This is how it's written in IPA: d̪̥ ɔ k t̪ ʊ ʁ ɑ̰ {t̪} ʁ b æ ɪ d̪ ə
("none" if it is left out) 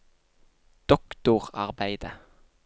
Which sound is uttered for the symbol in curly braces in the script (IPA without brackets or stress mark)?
none